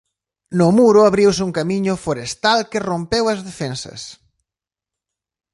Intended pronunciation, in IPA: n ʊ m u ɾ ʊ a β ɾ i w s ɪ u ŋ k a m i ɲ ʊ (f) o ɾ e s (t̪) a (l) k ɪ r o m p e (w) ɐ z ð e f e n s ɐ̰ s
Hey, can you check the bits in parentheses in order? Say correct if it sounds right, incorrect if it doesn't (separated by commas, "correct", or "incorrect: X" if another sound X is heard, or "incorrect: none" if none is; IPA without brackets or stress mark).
correct, correct, correct, correct